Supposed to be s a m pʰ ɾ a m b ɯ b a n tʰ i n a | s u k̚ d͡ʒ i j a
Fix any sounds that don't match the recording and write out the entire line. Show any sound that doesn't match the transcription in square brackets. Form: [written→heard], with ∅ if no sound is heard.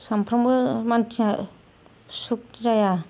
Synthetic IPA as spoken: s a m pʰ ɾ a m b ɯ [b→m] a n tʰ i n a | s u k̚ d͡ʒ [i→a] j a